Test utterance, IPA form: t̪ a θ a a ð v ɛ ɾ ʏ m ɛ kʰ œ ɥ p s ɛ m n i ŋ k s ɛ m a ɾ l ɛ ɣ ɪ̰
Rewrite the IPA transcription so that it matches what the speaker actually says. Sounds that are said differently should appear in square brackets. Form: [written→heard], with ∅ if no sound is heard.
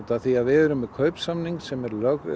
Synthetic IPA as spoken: t̪ a θ [a→i] a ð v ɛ ɾ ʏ m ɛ kʰ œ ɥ p s [ɛ→a] m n i ŋ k s ɛ m [a→ɛ] ɾ l [ɛ→œ] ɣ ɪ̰